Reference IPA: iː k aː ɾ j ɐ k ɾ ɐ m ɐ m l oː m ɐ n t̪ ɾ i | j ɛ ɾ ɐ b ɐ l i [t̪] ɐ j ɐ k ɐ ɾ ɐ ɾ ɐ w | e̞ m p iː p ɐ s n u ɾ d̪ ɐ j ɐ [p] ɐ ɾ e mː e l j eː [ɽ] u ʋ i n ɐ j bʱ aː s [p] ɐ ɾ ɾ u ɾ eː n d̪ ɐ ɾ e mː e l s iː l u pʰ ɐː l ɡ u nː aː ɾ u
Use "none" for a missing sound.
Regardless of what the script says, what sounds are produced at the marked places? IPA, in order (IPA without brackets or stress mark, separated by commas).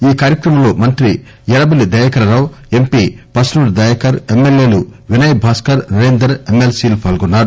d̪, k, l, k